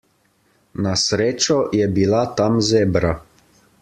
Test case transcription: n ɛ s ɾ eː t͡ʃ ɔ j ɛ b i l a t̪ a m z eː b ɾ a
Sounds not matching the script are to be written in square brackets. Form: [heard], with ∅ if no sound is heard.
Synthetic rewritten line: n [a] s ɾ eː t͡ʃ ɔ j ɛ b i l a t̪ a m z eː b ɾ a

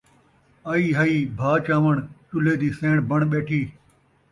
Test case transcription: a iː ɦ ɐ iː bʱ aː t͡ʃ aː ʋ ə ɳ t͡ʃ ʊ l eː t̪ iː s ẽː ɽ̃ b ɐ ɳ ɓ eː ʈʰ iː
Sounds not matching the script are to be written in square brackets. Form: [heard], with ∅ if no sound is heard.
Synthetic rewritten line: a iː ɦ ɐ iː bʱ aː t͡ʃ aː ʋ ə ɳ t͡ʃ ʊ l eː [d̪] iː s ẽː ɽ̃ b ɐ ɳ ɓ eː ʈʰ iː

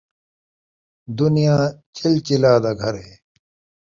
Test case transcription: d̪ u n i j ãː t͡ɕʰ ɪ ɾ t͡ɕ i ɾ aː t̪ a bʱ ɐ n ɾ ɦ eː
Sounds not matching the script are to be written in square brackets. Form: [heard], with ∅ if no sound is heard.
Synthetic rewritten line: d̪ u n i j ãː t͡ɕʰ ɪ [l] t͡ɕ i [l] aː [d̪] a [ɡʱ] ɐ [∅] ɾ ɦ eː

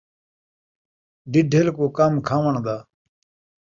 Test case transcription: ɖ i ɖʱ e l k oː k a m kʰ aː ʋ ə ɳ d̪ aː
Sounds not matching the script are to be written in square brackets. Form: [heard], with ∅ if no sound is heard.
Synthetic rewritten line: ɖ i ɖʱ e l k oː k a m kʰ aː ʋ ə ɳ d̪ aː

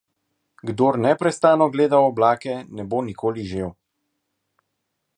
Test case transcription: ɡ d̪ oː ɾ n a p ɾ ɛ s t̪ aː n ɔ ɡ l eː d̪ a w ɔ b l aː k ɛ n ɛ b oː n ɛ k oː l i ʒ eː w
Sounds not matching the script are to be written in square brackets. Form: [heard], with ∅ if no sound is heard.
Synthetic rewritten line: ɡ d̪ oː ɾ n [ɛ] p ɾ ɛ s t̪ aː n ɔ ɡ l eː d̪ a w ɔ b l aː k ɛ n ɛ b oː n [i] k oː l i ʒ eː w

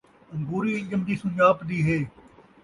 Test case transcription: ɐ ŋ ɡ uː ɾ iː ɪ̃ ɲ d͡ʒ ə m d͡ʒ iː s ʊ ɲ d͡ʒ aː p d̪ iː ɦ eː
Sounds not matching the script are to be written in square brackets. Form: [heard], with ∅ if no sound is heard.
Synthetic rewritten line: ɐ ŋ ɡ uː ɾ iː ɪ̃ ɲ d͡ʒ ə m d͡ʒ iː s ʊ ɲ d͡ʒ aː p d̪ iː ɦ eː

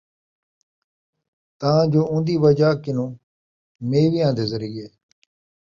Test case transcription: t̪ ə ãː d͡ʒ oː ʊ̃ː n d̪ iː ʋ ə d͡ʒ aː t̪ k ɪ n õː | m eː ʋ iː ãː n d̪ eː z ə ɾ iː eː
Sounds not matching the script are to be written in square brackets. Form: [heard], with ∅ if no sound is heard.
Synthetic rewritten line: t̪ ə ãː d͡ʒ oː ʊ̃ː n d̪ iː ʋ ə d͡ʒ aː [∅] k ɪ n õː | m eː ʋ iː ãː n d̪ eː z ə ɾ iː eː

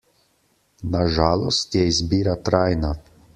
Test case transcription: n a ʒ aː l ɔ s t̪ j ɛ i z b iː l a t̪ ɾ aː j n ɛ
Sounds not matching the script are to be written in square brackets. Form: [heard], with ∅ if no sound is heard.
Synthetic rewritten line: n a ʒ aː l ɔ s t̪ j ɛ i z b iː [ɾ] a t̪ ɾ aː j n [a]

